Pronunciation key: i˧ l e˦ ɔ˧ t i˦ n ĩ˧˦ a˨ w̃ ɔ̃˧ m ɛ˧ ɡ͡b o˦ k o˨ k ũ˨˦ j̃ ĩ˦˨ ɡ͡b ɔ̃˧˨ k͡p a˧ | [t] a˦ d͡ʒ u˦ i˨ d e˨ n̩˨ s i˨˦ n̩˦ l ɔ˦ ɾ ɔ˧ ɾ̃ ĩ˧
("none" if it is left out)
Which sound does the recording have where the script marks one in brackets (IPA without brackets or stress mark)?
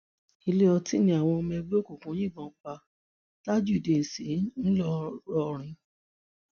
t